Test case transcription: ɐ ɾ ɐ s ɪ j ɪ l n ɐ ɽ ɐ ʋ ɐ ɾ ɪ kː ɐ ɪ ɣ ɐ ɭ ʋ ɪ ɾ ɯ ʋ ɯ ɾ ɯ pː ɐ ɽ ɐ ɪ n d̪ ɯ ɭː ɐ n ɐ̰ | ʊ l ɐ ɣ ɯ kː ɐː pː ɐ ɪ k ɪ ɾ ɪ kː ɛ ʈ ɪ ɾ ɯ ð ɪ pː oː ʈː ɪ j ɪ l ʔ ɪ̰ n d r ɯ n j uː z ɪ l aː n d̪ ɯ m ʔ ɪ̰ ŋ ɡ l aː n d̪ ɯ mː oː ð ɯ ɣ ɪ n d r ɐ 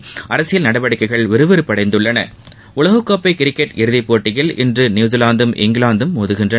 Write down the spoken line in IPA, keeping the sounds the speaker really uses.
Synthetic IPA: ɐ ɾ ɐ s ɪ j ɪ l n ɐ ɽ ɐ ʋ ɐ ɽ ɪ kː ɐ ɪ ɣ ɐ ɭ ʋ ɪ ɾ ɯ ʋ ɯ ɾ ɯ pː ɐ ɽ ɐ ɪ n d̪ ɯ ɭː ɐ n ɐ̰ | ʊ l ɐ ɣ ɯ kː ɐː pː ɐ ɪ k ɪ ɾ ɪ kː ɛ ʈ ɪ ɾ ɯ ð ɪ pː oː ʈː ɪ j ɪ l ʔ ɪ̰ n d r ɯ n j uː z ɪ l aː n d̪ ɯ m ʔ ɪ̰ ŋ ɡ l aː n d̪ ɯ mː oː ð ɯ ɣ ɪ n d r ɐ